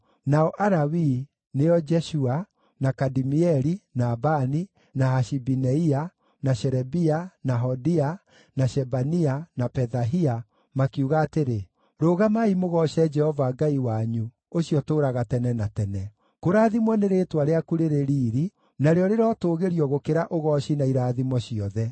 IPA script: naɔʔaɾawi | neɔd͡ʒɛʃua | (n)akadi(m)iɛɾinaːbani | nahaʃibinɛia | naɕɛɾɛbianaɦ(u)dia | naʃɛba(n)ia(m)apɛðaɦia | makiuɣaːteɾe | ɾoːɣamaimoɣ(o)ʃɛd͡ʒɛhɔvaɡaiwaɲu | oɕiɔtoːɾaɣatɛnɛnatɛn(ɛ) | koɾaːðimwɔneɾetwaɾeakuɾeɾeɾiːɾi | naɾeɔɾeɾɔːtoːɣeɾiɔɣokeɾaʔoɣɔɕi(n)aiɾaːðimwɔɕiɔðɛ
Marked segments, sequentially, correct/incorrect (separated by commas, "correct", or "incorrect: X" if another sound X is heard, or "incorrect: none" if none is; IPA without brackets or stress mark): correct, correct, incorrect: ɔ, correct, incorrect: n, incorrect: ɔ, correct, correct